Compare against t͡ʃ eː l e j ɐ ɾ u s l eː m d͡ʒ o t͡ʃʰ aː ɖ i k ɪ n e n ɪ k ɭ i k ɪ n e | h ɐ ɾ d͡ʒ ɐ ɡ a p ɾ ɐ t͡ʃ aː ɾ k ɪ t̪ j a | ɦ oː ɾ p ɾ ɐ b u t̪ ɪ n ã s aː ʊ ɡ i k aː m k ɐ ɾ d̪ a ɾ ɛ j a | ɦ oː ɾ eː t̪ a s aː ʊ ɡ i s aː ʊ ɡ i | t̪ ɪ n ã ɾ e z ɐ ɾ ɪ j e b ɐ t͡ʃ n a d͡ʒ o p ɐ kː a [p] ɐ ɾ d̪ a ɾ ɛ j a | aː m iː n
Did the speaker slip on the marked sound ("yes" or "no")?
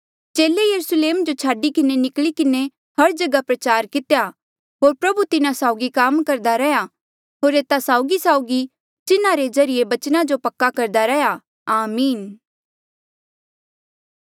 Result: yes